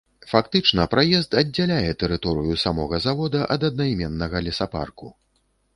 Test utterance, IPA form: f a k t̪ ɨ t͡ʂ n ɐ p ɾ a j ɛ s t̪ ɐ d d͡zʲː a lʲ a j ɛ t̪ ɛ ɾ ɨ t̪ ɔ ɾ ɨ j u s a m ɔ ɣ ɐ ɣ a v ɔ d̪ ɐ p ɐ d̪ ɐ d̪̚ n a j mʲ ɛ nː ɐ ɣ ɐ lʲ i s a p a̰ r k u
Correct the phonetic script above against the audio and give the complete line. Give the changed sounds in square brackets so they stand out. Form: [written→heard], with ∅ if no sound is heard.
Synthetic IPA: f a k t̪ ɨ t͡ʂ n ɐ p ɾ a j ɛ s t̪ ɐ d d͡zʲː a lʲ a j ɛ t̪ ɛ ɾ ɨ t̪ ɔ ɾ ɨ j u s a m ɔ ɣ ɐ [ɣ→z] a v ɔ d̪ ɐ [p→ʔ] ɐ d̪ ɐ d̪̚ n a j mʲ ɛ nː ɐ ɣ ɐ lʲ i s a p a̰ r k u